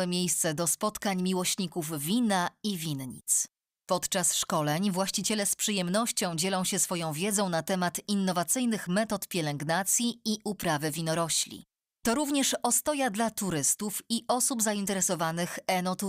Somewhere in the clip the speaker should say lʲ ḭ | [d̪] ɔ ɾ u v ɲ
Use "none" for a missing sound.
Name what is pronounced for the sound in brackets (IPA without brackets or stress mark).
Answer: t̪